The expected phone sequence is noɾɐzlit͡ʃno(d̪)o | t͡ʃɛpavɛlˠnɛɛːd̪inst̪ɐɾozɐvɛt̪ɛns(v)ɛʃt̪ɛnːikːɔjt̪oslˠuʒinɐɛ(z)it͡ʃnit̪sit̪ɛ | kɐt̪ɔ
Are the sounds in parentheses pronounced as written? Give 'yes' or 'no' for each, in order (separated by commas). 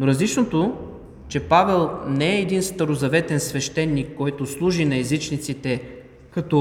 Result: no, yes, yes